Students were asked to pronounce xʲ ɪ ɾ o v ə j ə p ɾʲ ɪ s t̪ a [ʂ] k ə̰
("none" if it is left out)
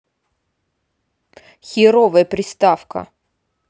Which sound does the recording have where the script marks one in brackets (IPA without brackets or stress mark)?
f